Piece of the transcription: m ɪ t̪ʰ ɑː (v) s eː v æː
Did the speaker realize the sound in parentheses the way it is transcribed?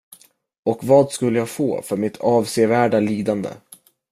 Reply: yes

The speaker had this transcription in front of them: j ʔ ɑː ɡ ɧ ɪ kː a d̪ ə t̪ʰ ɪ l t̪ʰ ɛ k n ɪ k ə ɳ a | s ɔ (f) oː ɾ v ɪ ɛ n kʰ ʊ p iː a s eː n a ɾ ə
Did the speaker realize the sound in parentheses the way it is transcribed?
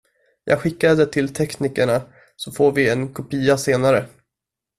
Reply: yes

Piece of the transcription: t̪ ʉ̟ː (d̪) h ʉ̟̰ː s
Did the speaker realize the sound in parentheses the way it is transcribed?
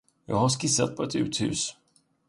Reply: no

